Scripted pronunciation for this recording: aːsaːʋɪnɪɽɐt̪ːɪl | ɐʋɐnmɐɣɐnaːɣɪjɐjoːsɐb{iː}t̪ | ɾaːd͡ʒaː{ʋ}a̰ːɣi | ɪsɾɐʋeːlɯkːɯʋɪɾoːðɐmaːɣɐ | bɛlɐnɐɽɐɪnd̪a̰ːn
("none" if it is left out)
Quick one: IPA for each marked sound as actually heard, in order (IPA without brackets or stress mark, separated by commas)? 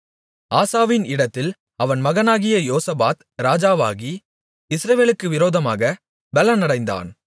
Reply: aː, ʋ